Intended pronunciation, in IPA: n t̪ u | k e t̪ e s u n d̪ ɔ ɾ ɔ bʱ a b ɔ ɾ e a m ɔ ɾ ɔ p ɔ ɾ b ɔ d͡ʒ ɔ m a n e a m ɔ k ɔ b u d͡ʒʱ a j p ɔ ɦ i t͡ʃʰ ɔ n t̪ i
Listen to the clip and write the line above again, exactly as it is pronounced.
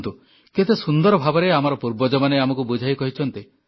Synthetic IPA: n t̪ u | k e t̪ e s u n d̪ ɔ ɾ ɔ bʱ a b ɔ ɾ e a m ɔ ɾ ɔ p u ɾ b ɔ d͡ʒ ɔ m a n e a m ɔ k u b u d͡ʒʱ a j k ɔ ɦ i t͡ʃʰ ɔ n t̪ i